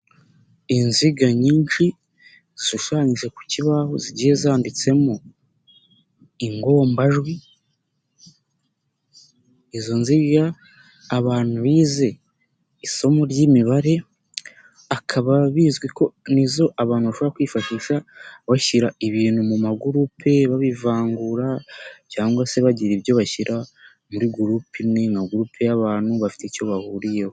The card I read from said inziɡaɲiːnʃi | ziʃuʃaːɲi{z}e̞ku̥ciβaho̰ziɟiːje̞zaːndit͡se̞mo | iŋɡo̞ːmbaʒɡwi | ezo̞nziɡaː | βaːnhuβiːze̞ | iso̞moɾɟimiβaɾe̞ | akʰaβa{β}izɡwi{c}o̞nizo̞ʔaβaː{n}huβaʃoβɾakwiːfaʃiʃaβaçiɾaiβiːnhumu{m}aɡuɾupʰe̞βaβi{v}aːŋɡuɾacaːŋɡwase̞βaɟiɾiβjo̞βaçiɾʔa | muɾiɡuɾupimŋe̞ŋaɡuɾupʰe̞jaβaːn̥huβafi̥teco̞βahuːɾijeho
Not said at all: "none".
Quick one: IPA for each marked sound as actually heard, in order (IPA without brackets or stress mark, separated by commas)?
ʒ, β, k, n, m, v